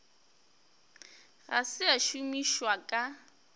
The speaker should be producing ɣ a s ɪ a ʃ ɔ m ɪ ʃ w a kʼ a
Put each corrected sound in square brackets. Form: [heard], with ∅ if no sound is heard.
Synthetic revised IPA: ɣ a s ɪ a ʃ [u] m [i] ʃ w a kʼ a